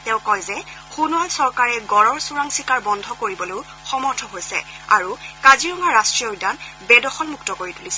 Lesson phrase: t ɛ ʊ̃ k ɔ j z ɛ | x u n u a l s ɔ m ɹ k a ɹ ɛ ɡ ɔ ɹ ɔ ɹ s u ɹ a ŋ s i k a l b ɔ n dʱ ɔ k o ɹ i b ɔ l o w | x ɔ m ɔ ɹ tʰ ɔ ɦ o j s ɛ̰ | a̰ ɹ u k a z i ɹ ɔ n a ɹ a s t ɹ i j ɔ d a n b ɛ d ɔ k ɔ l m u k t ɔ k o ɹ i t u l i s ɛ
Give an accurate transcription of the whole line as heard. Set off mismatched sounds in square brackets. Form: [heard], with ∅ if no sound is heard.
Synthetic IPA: t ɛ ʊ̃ k ɔ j z ɛ | x u n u a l s ɔ [∅] ɹ k a ɹ ɛ ɡ ɔ ɹ ɔ ɹ s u ɹ a ŋ s i k a [ɹ] b ɔ n dʱ ɔ k o ɹ i b ɔ l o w | x ɔ m ɔ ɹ tʰ ɔ ɦ o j s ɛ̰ | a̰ ɹ u k a z i ɹ ɔ [ŋ] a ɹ a s t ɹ i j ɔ d a n b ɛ d ɔ [x] ɔ l m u k t ɔ k o ɹ i t u l i s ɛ

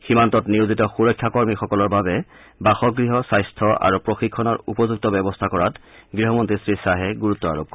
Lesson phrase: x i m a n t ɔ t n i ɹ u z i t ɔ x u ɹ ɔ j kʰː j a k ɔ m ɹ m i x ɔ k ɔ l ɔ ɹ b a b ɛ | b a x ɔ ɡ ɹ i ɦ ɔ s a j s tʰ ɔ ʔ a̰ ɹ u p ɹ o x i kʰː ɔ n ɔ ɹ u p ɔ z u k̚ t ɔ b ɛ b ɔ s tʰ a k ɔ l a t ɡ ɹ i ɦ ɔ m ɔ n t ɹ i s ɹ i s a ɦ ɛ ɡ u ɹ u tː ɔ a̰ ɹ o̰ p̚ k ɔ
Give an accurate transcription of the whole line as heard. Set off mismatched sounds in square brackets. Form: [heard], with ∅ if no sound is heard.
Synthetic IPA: x i m a n t ɔ t n i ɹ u z i t ɔ x u ɹ ɔ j kʰː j a k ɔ [∅] ɹ m i x ɔ k ɔ l ɔ ɹ b a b ɛ | b a x ɔ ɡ ɹ i ɦ ɔ s a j s tʰ ɔ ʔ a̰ ɹ u p ɹ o x i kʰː ɔ n ɔ ɹ u p ɔ z u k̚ t ɔ b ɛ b ɔ s tʰ a k ɔ [ɹ] a t ɡ ɹ i ɦ ɔ m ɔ n t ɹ i s ɹ i s a ɦ ɛ ɡ u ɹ u tː ɔ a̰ ɹ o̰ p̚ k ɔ

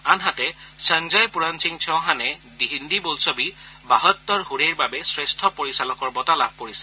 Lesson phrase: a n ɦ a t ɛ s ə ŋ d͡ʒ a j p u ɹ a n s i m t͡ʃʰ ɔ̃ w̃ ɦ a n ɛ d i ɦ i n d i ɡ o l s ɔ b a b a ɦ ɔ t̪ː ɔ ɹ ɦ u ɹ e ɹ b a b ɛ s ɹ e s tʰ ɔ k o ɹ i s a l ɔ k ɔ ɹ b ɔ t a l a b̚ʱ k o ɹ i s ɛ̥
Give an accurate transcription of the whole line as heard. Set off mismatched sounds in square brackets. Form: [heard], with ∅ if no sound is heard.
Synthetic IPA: a n ɦ a t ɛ s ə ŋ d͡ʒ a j p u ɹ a n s i [ŋ] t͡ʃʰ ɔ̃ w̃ ɦ a n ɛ d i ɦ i n d i [b] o l s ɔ b [i] b a ɦ ɔ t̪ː ɔ ɹ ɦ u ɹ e ɹ b a b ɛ s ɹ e s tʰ ɔ [p] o ɹ i s a l ɔ k ɔ ɹ b ɔ t a l a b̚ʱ k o ɹ i s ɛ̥

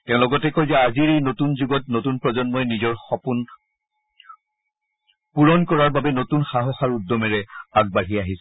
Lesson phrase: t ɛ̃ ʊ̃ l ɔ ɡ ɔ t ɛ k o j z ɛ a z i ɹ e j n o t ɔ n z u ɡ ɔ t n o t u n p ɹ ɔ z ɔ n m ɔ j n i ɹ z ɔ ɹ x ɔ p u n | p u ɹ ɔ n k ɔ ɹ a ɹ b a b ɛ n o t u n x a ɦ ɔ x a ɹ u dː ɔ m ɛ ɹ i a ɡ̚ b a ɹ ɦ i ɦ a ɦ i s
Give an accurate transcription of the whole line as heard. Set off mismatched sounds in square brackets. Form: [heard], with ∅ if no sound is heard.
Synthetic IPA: t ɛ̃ ʊ̃ l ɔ ɡ ɔ t ɛ k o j z ɛ a z i ɹ e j n o t [u] n z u ɡ ɔ t n o t u n p ɹ ɔ z ɔ n m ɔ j n i [∅] z ɔ ɹ x ɔ p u n | p u ɹ ɔ n k ɔ ɹ a ɹ b a b ɛ n o t u n x a ɦ ɔ x a ɹ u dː ɔ m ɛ ɹ [ɛ] a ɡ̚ b a ɹ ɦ i [∅] a ɦ i s

